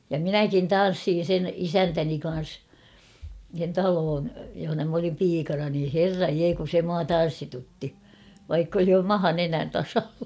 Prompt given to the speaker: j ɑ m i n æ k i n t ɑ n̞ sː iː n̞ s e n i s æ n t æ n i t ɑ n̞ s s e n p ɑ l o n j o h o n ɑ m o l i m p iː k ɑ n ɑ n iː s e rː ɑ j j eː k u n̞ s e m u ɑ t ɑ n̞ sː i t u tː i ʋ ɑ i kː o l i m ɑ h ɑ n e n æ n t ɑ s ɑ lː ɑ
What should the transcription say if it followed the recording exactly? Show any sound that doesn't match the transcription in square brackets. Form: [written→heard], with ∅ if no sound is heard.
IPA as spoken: j ɑ m i n æ k i n t ɑ n̞ sː iː n̞ s e n i s æ n t æ n i [t→k] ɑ n̞ s s e n [p→t] ɑ l [o→oː] n j o h o n ɑ m o l i m p iː k ɑ n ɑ n iː [s→h] e rː ɑ j j eː k u n̞ s e m u ɑ t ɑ n̞ sː i t u tː i ʋ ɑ i kː o l i m ɑ h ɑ n e n æ n t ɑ s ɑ lː ɑ